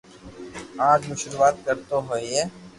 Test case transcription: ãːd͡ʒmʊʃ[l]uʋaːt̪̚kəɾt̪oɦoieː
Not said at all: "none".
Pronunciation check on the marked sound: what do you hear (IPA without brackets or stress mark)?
ɾ